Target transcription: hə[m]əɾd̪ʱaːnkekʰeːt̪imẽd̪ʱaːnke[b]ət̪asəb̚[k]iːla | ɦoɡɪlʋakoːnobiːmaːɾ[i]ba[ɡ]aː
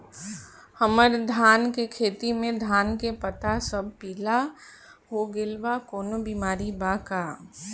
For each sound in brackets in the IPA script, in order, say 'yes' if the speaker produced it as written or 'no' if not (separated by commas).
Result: yes, no, no, yes, no